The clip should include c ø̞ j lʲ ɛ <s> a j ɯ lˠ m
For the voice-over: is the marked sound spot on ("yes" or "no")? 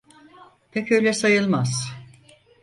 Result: yes